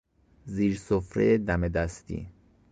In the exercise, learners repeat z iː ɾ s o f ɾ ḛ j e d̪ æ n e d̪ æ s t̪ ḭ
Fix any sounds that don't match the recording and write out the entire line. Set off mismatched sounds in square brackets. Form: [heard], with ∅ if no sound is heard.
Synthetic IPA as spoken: z iː ɾ s o f ɾ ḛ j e d̪ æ [m] e d̪ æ s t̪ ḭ